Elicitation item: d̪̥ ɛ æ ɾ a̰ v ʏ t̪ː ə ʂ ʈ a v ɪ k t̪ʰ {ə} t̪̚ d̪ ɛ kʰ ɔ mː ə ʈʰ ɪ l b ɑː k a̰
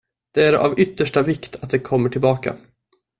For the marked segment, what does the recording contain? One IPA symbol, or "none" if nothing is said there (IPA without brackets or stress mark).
a